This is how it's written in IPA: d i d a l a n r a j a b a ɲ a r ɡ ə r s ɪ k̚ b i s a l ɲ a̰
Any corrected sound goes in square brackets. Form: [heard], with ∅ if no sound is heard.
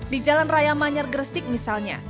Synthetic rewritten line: d i [d͡ʒ] a l a n r a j a [m] a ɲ a r ɡ ə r s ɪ k̚ [m] i s a l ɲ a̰